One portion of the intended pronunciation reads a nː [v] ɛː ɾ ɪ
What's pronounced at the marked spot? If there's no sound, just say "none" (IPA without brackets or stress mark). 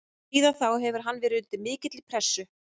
v